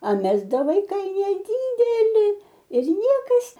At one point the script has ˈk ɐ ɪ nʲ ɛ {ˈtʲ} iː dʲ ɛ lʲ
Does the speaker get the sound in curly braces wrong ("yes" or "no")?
yes